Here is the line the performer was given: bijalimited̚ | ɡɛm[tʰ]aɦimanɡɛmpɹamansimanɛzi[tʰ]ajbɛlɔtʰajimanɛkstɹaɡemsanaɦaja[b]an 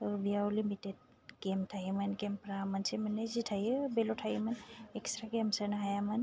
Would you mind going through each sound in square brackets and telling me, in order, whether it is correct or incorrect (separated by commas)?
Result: correct, correct, incorrect